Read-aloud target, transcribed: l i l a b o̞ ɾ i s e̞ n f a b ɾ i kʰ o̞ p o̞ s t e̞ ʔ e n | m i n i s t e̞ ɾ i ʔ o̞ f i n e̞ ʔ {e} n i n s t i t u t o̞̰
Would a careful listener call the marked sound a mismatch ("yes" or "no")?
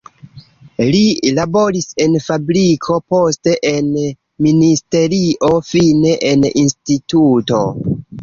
no